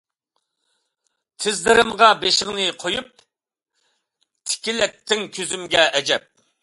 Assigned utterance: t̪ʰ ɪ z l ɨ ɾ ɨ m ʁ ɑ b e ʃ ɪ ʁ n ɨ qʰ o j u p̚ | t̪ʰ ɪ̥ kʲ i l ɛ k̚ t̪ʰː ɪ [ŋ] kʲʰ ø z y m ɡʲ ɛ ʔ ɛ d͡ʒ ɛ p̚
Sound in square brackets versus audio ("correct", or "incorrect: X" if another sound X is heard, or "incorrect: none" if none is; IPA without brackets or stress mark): correct